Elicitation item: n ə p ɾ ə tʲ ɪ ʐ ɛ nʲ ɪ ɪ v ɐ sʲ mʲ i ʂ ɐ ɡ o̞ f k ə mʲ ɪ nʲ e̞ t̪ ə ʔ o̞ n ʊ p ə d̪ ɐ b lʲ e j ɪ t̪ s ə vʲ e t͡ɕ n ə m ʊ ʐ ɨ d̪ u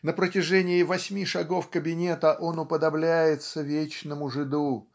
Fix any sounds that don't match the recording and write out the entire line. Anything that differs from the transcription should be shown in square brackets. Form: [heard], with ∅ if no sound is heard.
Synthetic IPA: n ə p ɾ ə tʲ ɪ ʐ ɛ nʲ ɪ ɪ v ɐ sʲ mʲ i ʂ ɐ ɡ o̞ f k ə [bʲ] ɪ nʲ e̞ t̪ ə ʔ o̞ n ʊ p ə d̪ ɐ b lʲ [æ] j ɪ t̪ s ə vʲ e t͡ɕ n ə m ʊ ʐ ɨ d̪ u

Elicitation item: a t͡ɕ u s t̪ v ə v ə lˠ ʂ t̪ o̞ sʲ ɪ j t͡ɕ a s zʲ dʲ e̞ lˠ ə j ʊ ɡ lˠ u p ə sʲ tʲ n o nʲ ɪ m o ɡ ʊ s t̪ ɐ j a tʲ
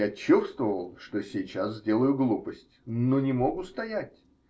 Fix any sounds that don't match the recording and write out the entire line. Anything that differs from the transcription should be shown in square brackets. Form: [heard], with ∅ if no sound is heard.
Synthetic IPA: a t͡ɕ u s t̪ v ə v ə lˠ ʂ t̪ o̞ sʲ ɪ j t͡ɕ a s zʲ dʲ e̞ lˠ ə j ʊ ɡ lˠ u p ə sʲ tʲ n o nʲ ɪ m o ɡ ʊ s t̪ ɐ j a tʲ

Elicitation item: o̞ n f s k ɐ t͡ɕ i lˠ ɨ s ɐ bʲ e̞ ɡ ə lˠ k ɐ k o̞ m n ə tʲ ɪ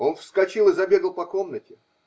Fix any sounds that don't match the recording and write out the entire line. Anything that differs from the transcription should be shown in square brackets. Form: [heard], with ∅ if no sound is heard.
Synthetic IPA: o̞ n f s k ɐ t͡ɕ i lˠ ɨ [z] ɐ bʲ e̞ ɡ ə lˠ [p] ɐ k o̞ m n ə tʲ ɪ

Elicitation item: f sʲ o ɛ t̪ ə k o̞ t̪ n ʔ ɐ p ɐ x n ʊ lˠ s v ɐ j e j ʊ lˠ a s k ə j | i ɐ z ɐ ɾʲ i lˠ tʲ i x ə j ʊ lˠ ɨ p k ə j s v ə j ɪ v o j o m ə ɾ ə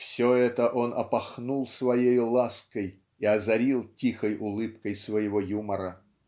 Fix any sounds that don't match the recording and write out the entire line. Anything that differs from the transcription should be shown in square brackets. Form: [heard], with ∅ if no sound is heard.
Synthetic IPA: f sʲ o ɛ t̪ ə [ʔ] o̞ [∅] n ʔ ɐ p ɐ x n [u] lˠ s v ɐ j e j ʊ lˠ a s k ə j | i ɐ z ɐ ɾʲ i lˠ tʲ i x ə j ʊ lˠ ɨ p k ə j s v ə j ɪ v o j [u] m ə ɾ ə

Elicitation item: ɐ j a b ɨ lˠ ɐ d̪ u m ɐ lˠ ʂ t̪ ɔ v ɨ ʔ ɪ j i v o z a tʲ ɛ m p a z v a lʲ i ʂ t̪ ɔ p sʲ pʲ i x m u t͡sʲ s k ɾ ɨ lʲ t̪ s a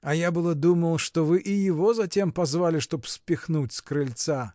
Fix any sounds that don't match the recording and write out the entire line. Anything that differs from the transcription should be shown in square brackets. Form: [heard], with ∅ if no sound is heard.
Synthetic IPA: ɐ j a b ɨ lˠ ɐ d̪ u m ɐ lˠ ʂ t̪ ɔ v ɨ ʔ [i] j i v [ɔ] z a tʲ ɛ m p a z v a lʲ i ʂ t̪ ɔ p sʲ pʲ i x [n] u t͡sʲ s k ɾ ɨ lʲ t̪ s a

